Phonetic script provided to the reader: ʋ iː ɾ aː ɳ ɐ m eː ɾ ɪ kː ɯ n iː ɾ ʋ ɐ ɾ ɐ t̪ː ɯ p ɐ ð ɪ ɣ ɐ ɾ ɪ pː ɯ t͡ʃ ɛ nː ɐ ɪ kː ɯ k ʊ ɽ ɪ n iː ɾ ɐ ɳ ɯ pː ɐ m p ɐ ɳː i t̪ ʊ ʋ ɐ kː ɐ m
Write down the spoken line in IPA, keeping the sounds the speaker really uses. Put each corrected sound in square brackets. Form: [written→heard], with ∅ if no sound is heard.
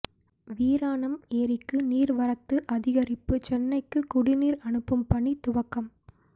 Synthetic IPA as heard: ʋ iː ɾ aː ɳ ɐ m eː ɾ ɪ kː ɯ n iː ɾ ʋ ɐ ɾ ɐ t̪ː ɯ [p→ʔ] ɐ ð ɪ ɣ ɐ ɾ ɪ pː ɯ t͡ʃ ɛ nː ɐ ɪ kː ɯ k ʊ ɽ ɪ n iː ɾ ɐ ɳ ɯ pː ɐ m p ɐ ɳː i t̪ ʊ ʋ ɐ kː ɐ m